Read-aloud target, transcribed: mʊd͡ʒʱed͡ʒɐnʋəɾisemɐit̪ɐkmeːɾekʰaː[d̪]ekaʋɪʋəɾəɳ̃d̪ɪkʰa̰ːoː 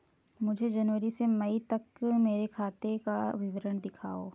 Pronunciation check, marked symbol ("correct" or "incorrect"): incorrect